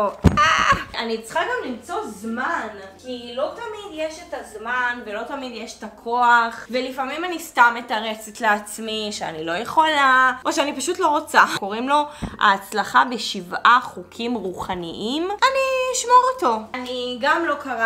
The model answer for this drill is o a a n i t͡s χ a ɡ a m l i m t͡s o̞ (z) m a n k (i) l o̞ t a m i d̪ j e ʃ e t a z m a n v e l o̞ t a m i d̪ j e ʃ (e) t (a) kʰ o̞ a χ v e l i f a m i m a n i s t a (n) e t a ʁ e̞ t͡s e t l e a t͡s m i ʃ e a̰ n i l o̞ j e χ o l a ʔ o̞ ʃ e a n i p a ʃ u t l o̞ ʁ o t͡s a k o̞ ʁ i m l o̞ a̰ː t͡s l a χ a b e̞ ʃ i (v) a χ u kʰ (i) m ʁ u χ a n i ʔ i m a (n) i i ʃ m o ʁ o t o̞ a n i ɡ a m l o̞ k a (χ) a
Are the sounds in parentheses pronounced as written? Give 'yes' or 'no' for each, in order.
yes, yes, yes, yes, no, yes, yes, yes, no

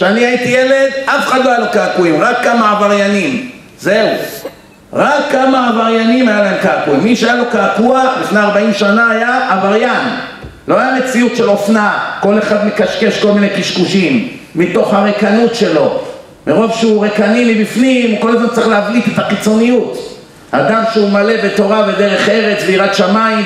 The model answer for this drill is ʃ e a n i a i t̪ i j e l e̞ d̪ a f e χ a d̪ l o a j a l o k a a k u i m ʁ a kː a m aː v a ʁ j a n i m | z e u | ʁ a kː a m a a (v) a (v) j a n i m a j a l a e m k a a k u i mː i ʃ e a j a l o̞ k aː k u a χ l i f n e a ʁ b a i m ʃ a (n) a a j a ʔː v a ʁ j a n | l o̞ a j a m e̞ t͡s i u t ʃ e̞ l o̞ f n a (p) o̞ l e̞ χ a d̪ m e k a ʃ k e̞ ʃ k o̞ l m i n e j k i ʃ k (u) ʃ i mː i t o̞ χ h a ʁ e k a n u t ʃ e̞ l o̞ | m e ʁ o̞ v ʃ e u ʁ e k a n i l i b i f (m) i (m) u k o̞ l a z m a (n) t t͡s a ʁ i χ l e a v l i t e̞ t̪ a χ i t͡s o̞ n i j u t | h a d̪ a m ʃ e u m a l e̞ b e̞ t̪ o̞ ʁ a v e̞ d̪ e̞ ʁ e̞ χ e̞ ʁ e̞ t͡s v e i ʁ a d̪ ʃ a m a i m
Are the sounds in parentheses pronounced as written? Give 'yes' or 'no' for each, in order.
yes, no, yes, no, yes, no, yes, yes

